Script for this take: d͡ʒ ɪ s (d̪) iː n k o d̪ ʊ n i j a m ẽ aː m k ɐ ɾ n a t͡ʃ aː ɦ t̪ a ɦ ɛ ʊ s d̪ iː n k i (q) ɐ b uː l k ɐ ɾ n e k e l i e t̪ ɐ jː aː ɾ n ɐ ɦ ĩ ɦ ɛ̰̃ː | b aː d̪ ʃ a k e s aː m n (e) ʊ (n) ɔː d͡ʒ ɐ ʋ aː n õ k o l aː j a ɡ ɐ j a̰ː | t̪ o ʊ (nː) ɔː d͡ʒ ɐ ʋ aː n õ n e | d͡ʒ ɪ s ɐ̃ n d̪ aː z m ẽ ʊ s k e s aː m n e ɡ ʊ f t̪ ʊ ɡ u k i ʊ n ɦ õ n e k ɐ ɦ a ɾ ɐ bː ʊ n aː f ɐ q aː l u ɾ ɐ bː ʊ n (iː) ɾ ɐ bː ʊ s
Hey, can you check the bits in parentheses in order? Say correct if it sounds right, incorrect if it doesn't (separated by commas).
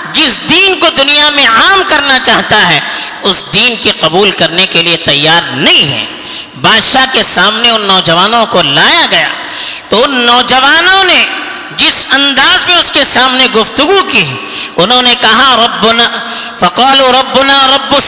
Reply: correct, correct, correct, incorrect, correct, incorrect